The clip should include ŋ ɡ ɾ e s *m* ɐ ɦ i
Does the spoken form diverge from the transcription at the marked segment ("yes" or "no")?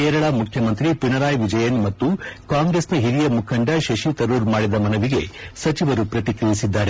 yes